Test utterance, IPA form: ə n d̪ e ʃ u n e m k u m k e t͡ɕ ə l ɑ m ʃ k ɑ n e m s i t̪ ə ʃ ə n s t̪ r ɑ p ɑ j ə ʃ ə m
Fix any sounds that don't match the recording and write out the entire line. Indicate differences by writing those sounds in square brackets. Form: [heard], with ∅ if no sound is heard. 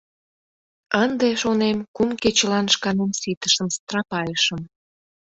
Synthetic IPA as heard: ə n d̪ e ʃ [o] n e m k u m k e t͡ɕ ə l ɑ [n] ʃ k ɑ n e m s i t̪ ə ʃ ə [m] s t̪ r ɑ p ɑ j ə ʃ ə m